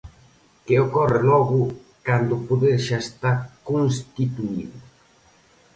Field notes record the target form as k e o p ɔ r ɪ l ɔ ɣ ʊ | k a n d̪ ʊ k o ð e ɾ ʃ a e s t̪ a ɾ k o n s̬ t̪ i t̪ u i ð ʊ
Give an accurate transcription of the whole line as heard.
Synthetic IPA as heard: k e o k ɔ r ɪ l ɔ ɣ ʊ | k a n d̪ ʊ p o ð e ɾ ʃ a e s t̪ a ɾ k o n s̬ t̪ i t̪ u i ð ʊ

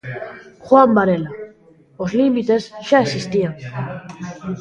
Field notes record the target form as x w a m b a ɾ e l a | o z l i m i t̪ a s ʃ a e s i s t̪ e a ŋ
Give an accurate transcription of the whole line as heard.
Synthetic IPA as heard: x w a m b a ɾ e l a | o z l i m i t̪ e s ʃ a e s i s t̪ i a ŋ

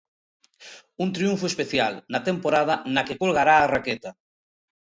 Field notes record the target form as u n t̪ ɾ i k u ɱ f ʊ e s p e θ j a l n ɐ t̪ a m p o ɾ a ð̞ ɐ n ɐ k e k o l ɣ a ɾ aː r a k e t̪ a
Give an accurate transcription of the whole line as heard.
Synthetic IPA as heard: u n t̪ ɾ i u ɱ f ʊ e s p e θ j a l n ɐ t̪ e m p o ɾ a ð̞ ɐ n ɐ k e k o l ɣ a ɾ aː r a k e t̪ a

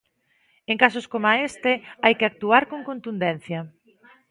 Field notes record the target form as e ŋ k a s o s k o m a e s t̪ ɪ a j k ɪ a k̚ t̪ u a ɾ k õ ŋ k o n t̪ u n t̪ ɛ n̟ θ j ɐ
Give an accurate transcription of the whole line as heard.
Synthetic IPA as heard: e ŋ k a s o s k o m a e s t̪ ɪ a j k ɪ a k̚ t̪ u a ɾ k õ ŋ k o n t̪ u n d̪ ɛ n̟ θ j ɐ

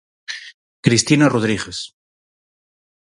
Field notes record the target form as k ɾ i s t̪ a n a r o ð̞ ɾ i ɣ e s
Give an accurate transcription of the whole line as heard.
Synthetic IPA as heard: k ɾ i s t̪ i n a r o ð̞ ɾ i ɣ e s

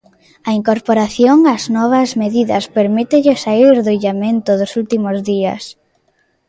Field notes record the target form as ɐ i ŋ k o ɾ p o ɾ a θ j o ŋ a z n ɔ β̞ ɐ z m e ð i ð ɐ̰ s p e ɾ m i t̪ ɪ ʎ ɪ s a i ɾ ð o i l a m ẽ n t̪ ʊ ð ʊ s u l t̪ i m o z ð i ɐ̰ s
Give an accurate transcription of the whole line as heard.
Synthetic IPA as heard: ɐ i ŋ k o ɾ p o ɾ a θ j o ŋ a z n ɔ β̞ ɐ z m e ð i ð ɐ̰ s p e ɾ m i t̪ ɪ ʎ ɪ s a i ɾ ð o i ʎ a m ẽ n t̪ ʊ ð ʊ s u l t̪ i m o z ð i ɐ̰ s

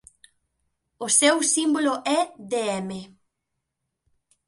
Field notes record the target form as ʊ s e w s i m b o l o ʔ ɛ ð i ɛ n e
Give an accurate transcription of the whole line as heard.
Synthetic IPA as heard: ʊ s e w s i m b o l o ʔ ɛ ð e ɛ m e

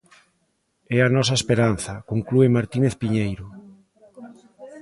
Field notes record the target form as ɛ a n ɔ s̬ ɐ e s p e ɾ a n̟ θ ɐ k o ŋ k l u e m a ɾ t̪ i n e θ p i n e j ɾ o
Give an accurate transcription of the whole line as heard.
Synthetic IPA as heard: ɛ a n ɔ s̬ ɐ e s p e ɾ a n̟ θ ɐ k o ŋ k l u e m a ɾ t̪ i n e θ p i ɲ e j ɾ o

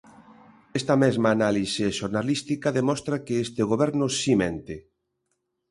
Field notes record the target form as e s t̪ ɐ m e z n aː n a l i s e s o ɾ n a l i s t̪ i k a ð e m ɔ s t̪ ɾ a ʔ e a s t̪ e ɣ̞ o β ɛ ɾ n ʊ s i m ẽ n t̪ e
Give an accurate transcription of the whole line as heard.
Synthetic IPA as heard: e s t̪ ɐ m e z m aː n a l i s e ʃ o ɾ n a l i s t̪ i k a ð e m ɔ s t̪ ɾ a k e e s t̪ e ɣ̞ o β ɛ ɾ n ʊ s i m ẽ n t̪ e

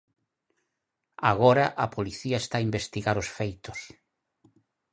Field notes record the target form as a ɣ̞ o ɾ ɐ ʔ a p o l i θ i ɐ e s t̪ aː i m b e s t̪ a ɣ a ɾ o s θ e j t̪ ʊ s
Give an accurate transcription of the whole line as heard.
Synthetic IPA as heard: a ɣ̞ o ɾ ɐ ʔ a p o l i θ i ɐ e s t̪ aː i m b e s t̪ i ɣ a ɾ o s f e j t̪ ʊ s

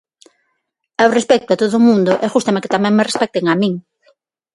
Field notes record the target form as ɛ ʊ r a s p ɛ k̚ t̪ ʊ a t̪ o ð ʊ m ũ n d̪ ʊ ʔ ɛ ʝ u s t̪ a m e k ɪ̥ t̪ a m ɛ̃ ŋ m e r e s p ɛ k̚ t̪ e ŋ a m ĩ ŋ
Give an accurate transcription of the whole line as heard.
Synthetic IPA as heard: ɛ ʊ r e s p ɛ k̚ t̪ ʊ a t̪ o ð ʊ m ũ n d̪ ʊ ʔ ɛ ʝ u s t̪ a m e k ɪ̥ t̪ a m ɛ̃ ŋ m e r e s p ɛ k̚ t̪ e ŋ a m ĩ ŋ

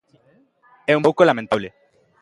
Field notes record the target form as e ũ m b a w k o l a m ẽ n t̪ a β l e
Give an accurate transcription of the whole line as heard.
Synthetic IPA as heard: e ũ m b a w k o l a m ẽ n t̪ a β l e

